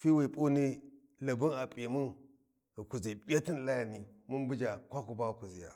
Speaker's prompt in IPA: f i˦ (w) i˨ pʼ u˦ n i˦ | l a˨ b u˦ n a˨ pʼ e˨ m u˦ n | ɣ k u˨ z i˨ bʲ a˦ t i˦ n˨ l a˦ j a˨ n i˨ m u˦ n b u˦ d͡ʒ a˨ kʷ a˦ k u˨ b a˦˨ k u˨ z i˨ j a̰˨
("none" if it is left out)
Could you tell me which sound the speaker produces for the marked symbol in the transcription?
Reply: w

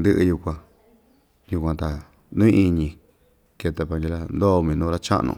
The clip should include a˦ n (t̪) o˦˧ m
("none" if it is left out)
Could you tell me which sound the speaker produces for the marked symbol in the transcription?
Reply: d̪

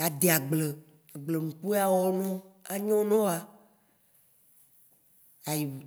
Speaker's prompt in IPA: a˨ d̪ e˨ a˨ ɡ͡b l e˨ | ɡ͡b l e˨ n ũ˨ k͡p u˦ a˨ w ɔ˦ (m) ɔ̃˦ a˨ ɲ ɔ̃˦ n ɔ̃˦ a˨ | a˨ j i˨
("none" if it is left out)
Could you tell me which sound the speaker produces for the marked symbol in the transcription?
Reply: n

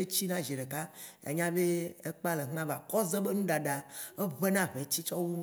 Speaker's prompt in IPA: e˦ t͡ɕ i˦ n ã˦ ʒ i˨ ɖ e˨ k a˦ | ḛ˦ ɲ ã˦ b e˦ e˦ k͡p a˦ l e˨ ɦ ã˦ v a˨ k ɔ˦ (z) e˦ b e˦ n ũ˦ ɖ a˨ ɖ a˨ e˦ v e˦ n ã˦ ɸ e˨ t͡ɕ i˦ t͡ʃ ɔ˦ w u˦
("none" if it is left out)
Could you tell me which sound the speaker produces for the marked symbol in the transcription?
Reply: z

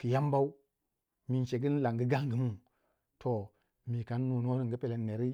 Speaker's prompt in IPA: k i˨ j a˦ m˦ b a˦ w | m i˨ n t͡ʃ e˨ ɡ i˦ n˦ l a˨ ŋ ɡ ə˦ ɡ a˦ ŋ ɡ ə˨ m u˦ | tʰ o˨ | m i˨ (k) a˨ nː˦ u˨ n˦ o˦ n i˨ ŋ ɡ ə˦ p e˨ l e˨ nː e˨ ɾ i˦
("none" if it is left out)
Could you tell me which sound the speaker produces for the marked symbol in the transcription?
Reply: k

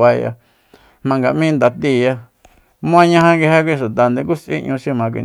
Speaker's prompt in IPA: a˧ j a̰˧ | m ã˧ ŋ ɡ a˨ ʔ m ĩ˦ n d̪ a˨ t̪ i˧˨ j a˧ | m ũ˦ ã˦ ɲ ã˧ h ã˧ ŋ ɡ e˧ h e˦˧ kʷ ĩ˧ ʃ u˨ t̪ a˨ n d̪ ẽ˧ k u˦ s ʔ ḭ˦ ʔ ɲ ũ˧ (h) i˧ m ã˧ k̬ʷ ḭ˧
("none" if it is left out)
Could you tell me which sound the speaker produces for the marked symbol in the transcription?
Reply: ʃ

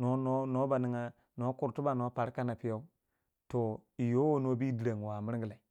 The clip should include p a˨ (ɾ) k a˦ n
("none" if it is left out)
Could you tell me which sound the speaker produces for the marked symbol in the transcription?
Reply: ɾ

